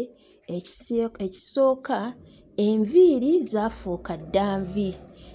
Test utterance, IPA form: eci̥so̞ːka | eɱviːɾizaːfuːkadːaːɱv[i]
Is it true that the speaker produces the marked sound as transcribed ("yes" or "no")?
yes